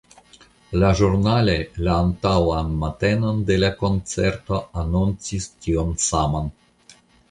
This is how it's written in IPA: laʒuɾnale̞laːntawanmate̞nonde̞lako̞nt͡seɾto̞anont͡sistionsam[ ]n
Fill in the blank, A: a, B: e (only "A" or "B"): A